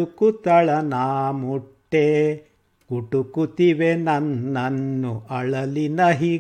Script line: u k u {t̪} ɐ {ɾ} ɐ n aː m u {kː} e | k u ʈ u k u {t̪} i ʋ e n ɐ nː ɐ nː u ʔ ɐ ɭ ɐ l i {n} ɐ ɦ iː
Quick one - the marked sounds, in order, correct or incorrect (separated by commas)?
correct, incorrect, incorrect, correct, correct